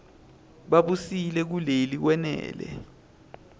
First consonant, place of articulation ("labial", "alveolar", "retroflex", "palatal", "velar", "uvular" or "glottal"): labial